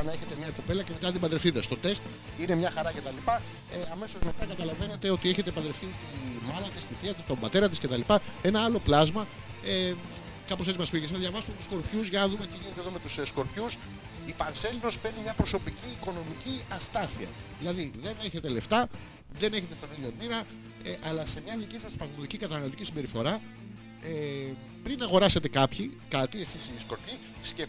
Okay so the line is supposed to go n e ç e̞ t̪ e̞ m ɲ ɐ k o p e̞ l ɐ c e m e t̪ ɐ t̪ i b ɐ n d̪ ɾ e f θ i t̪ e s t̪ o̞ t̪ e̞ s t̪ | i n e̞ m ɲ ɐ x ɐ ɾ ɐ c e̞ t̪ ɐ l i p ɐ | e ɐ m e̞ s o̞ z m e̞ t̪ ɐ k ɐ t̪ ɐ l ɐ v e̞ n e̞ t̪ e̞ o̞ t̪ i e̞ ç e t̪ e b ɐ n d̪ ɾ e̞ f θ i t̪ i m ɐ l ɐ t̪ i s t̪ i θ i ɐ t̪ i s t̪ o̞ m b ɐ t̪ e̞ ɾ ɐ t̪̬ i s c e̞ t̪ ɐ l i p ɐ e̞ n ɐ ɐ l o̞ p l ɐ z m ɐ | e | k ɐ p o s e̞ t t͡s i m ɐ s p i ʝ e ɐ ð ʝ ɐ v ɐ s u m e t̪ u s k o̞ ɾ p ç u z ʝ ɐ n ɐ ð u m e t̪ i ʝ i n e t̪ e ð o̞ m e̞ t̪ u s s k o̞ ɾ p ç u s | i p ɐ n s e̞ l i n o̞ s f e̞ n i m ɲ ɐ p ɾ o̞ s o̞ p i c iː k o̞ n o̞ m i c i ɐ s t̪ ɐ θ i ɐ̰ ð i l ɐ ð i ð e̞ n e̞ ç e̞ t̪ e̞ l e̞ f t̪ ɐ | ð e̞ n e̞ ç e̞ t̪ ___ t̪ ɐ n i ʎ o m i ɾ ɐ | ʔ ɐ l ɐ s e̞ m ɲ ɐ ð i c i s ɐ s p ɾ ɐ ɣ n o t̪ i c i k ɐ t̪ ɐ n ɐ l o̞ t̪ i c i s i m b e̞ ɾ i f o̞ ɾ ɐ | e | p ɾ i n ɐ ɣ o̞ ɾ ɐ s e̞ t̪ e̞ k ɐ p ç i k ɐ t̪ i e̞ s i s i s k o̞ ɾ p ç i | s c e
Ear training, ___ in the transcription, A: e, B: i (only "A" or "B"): A